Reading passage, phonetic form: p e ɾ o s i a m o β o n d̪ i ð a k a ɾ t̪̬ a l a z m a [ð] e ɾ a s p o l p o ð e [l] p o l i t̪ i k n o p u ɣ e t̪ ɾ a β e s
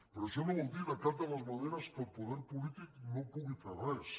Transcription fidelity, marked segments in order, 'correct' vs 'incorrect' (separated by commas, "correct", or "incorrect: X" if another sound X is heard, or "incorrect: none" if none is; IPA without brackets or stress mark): correct, incorrect: ɾ